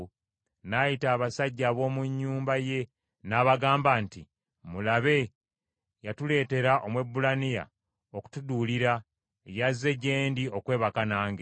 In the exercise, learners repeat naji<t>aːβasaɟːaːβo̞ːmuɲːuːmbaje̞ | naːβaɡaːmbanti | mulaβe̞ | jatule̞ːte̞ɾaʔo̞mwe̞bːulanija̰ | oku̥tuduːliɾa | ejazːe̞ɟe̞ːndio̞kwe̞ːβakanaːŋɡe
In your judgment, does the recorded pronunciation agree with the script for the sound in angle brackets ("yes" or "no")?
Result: yes